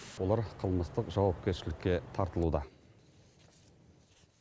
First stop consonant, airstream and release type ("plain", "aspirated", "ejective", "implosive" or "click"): aspirated